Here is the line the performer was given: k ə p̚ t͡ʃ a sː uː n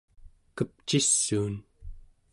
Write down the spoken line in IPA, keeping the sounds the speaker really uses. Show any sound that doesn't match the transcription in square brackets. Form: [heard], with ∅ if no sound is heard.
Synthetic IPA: k ə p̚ t͡ʃ [i] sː uː n